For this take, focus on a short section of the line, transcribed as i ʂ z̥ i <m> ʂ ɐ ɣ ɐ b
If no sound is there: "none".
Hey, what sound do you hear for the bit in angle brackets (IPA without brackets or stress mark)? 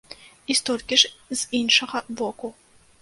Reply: n